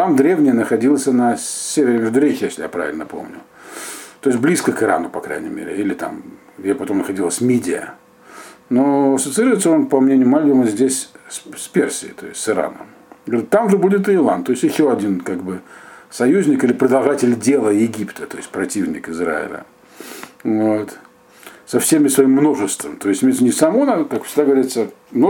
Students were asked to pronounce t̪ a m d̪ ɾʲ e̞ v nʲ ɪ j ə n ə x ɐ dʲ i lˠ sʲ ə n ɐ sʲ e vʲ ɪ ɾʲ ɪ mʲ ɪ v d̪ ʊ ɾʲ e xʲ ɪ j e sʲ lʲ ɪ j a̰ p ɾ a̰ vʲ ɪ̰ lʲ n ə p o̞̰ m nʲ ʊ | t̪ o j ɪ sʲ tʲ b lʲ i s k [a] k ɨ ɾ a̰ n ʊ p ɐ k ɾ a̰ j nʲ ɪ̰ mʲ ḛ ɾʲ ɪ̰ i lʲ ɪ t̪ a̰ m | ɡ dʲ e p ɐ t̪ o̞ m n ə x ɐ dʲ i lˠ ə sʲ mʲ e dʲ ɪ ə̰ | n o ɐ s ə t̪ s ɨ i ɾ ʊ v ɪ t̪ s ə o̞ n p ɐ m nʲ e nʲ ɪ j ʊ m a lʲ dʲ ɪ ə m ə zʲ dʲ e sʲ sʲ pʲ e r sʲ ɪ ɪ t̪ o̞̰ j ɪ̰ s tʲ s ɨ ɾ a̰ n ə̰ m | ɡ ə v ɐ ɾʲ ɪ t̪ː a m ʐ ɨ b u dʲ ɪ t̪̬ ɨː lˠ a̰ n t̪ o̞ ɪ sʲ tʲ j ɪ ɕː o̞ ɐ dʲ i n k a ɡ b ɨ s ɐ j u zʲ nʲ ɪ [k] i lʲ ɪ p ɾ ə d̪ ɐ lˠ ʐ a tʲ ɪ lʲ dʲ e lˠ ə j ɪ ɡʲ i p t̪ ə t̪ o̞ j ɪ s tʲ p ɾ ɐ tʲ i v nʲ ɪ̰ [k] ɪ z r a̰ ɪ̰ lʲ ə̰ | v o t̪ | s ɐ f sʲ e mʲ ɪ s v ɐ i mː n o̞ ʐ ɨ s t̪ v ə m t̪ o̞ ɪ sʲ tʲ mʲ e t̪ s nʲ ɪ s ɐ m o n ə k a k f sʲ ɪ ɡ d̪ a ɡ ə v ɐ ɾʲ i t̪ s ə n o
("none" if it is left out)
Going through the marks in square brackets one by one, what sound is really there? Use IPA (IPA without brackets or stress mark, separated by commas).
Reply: ə, k, k